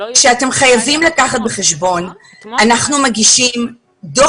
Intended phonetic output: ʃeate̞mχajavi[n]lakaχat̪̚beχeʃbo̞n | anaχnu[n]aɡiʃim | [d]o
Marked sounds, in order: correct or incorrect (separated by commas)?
incorrect, incorrect, correct